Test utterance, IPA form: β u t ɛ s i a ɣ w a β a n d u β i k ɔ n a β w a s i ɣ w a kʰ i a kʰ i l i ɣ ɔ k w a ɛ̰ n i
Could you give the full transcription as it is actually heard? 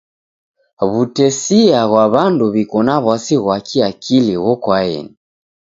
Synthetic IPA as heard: β u t ɛ s i a ɣ w a β a n d u β i k ɔ n a β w a s i ɣ w a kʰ i a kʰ i l i ɣ ɔ k w a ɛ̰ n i